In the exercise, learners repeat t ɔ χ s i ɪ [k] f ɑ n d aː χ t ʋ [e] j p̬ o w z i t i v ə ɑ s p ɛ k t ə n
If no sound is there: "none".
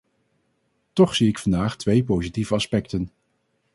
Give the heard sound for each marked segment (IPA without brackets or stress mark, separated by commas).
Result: k, e